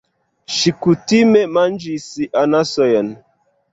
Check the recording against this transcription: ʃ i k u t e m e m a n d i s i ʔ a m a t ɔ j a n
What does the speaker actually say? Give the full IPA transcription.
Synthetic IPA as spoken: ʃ i k u t i m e m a n d͡ʒ i s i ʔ a n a s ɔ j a n